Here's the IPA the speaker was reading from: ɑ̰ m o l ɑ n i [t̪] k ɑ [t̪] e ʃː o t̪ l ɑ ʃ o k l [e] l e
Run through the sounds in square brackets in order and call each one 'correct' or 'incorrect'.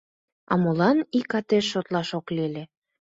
incorrect: none, correct, correct

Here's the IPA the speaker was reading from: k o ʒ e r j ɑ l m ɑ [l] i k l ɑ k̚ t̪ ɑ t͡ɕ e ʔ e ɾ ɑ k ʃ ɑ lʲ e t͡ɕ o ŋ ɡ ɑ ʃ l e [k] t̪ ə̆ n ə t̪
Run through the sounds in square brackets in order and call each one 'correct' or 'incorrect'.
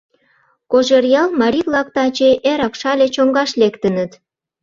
incorrect: ɾ, correct

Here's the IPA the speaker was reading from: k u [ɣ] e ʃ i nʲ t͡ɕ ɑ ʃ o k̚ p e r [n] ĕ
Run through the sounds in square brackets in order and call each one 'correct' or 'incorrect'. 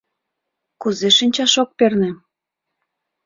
incorrect: z, correct

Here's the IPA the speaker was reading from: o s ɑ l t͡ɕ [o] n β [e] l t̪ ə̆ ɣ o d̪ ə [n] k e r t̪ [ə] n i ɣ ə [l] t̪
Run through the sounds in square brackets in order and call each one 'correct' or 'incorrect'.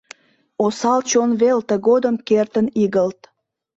correct, correct, incorrect: m, correct, correct

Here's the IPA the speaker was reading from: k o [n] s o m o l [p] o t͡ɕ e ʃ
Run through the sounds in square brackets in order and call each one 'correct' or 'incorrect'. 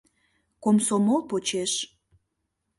incorrect: m, correct

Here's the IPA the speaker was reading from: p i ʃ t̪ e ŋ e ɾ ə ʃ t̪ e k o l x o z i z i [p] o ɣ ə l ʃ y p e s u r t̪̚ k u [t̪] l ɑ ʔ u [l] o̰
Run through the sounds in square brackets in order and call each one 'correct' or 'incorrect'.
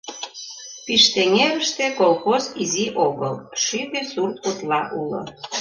incorrect: ʔ, correct, correct

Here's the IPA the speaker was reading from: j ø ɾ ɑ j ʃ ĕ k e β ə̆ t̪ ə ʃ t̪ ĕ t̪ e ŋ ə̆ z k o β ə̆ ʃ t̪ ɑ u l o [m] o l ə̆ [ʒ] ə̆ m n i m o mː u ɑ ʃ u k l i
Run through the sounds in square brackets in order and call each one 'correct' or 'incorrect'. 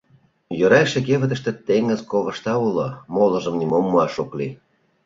correct, correct

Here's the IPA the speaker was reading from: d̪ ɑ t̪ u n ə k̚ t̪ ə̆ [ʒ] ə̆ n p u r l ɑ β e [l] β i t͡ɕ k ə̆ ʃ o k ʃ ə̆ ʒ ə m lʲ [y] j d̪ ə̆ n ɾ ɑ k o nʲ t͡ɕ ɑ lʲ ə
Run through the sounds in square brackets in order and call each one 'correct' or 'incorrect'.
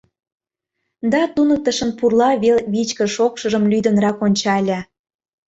incorrect: ʃ, correct, correct

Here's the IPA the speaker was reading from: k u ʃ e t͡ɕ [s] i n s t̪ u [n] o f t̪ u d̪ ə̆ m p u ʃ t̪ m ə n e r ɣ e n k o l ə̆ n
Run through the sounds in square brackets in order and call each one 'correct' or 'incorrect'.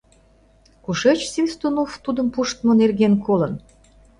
correct, correct

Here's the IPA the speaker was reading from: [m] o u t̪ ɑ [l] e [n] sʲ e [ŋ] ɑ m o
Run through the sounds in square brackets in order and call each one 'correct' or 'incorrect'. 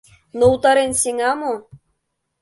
incorrect: n, incorrect: ɾ, correct, correct

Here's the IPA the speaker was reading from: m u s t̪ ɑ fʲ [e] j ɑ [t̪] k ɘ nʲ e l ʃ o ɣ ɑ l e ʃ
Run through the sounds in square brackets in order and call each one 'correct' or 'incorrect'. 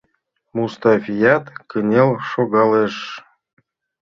incorrect: i, correct

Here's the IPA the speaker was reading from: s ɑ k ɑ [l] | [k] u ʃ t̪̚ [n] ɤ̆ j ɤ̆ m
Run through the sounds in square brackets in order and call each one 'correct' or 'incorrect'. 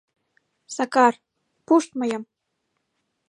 incorrect: r, incorrect: p, incorrect: m

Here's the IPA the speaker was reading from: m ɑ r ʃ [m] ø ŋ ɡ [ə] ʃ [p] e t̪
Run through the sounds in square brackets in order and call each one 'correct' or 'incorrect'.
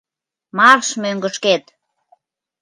correct, correct, incorrect: k

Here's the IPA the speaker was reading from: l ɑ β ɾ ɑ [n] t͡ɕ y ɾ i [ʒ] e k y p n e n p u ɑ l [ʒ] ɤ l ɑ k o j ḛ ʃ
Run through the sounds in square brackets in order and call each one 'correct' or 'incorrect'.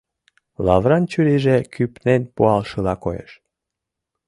correct, correct, incorrect: ʃ

